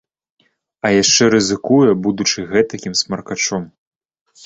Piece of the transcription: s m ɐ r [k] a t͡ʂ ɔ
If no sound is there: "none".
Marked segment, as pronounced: k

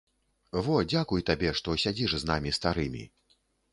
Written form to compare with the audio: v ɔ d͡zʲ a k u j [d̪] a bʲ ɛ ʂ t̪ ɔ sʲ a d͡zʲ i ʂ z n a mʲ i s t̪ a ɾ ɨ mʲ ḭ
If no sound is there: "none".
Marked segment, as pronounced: t̪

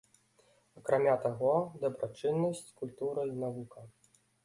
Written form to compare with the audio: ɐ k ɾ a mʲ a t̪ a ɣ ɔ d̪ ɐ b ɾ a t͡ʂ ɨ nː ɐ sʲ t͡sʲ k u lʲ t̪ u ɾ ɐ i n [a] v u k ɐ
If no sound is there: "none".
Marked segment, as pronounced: a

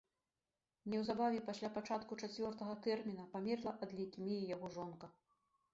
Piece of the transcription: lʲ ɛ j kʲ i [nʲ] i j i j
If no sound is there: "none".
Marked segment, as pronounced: mʲ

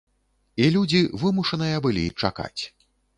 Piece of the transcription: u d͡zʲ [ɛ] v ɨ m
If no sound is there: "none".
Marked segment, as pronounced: i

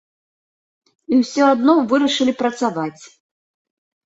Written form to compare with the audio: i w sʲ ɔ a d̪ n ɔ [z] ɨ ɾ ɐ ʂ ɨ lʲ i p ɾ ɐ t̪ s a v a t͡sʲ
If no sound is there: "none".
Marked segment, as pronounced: v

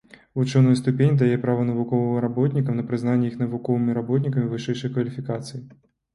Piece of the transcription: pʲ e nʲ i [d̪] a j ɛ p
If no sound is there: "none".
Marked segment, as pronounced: d̪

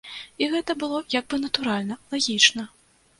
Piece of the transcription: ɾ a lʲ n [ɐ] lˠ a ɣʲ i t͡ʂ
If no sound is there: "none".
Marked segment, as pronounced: ɐ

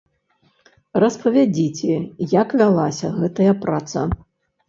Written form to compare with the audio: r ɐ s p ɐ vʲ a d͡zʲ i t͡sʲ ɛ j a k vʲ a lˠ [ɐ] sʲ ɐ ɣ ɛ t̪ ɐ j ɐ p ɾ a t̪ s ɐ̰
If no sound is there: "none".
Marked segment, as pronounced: a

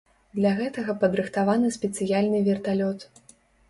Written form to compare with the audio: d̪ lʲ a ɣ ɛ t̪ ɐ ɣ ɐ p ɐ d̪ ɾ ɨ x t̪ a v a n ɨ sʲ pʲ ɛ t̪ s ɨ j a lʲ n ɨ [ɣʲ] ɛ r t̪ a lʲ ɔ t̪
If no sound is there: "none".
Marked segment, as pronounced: vʲ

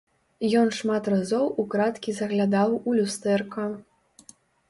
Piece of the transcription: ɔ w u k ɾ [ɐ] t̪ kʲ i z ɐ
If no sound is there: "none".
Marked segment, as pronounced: a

